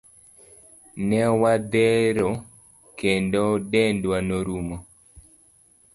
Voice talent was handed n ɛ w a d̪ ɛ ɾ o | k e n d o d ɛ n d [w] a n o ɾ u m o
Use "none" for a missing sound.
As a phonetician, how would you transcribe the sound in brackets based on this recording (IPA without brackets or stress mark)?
w